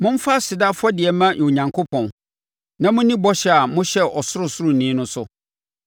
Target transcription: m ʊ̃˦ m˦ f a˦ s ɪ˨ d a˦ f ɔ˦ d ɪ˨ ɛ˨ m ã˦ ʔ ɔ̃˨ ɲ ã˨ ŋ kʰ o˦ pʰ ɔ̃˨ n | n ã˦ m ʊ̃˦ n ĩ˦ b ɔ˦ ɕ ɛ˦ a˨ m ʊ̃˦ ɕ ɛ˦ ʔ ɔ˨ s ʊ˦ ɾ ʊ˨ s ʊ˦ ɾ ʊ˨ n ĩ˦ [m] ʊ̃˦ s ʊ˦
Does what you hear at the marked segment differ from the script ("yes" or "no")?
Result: yes